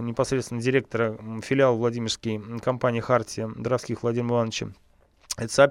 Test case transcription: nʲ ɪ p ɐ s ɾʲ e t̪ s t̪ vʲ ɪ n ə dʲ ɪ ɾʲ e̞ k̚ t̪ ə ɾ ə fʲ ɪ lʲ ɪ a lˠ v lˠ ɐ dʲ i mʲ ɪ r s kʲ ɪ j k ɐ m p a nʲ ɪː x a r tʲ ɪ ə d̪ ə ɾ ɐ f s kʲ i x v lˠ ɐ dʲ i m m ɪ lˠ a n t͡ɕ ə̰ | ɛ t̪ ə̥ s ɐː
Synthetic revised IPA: nʲ ɪ p ɐ s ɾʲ e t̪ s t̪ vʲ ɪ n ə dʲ ɪ ɾʲ e̞ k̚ t̪ ə ɾ ə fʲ ɪ lʲ ɪ a lˠ v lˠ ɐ dʲ i mʲ ɪ r s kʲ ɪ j k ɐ m p a nʲ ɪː x a r tʲ ɪ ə d̪ ə ɾ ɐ f s kʲ i x v lˠ ɐ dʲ i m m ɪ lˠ a n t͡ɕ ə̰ | ɛ t̪ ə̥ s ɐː